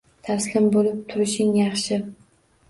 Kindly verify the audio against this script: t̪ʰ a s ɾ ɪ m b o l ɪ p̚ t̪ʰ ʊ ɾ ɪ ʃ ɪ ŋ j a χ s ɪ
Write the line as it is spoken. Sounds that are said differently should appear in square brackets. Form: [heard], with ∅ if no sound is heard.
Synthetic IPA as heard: t̪ʰ a s [l] ɪ m b o l ɪ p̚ t̪ʰ ʊ ɾ ɪ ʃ ɪ ŋ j [ɑ] χ [ʃ] ɪ